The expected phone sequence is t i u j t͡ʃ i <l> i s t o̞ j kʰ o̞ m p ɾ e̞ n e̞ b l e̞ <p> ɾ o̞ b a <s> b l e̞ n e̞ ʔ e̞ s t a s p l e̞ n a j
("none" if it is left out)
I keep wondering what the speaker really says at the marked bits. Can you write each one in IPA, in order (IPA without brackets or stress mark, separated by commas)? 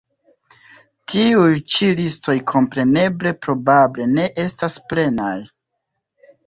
l, p, none